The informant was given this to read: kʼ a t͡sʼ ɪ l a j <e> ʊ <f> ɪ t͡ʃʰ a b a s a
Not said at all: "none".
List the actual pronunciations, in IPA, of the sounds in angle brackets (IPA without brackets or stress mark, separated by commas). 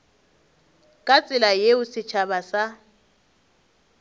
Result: e, s